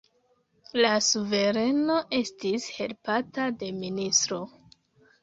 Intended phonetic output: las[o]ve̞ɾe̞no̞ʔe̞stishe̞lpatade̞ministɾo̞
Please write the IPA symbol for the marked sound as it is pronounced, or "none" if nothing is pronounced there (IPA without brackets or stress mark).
u